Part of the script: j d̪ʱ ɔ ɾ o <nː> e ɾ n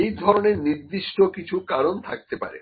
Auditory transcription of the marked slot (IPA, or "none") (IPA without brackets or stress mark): n